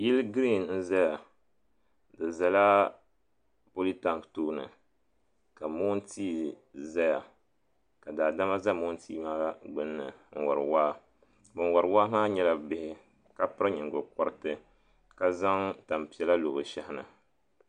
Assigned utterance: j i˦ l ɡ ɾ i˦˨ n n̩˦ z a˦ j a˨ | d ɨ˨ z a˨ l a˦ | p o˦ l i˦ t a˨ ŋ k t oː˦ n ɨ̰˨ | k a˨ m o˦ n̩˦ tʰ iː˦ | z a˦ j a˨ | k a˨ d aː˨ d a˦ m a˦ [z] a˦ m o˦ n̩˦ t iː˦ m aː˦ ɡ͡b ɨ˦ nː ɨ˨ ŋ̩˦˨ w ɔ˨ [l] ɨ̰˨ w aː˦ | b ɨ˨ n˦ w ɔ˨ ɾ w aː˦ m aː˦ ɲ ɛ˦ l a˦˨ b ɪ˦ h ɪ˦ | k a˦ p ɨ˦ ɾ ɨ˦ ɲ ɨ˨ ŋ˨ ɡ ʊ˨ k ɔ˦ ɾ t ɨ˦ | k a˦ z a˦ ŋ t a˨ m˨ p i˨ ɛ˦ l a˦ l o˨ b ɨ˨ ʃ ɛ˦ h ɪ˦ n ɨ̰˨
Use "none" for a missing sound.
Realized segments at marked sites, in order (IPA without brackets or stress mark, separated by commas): z, ɾ